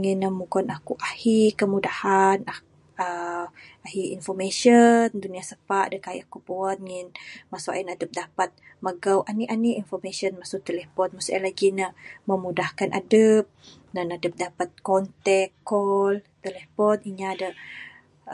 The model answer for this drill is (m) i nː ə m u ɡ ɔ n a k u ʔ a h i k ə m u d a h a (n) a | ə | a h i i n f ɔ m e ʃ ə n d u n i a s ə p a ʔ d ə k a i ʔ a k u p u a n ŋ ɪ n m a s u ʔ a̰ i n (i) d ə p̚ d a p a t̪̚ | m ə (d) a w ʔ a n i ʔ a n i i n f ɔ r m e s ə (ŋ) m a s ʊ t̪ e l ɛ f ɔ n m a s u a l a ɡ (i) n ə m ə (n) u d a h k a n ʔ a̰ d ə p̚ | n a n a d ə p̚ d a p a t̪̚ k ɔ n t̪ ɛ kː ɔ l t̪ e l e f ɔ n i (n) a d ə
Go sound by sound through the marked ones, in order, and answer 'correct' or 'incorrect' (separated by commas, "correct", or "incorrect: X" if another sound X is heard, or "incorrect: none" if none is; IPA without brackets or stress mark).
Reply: incorrect: ŋ, correct, incorrect: a, incorrect: ɡ, incorrect: n, correct, incorrect: m, incorrect: ɲ